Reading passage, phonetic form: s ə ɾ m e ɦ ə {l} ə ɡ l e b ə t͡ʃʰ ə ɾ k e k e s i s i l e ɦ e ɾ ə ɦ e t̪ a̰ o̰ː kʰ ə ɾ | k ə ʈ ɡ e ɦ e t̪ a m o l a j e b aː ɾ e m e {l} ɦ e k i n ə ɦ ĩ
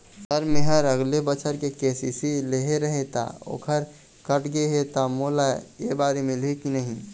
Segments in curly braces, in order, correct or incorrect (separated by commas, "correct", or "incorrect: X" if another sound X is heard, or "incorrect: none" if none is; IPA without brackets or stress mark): incorrect: ɾ, correct